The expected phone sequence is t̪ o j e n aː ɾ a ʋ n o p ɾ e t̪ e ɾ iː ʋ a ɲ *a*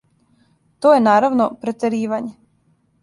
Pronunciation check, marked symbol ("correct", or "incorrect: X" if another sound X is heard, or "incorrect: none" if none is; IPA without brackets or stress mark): incorrect: e